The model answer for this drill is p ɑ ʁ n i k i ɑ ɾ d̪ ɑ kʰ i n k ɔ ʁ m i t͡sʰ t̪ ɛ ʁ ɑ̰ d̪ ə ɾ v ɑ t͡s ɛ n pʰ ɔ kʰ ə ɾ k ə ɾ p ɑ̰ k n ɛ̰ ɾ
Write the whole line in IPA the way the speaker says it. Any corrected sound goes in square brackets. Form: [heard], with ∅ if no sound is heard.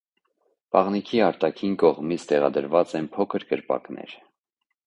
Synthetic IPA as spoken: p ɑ ʁ n i [kʰ] i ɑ ɾ [t̪] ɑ kʰ i n k ɔ ʁ m i t͡sʰ t̪ ɛ ʁ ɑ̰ d̪ ə ɾ v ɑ t͡s ɛ n pʰ ɔ kʰ ə ɾ k ə ɾ p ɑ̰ k n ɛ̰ ɾ